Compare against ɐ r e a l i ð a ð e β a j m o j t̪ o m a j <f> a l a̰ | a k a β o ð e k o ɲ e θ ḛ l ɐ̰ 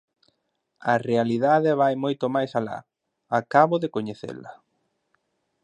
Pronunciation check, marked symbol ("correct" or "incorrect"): incorrect